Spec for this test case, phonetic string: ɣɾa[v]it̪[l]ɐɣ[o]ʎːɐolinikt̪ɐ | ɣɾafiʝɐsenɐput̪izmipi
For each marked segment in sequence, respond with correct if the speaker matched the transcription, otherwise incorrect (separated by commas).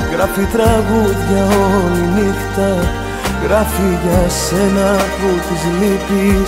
incorrect, incorrect, incorrect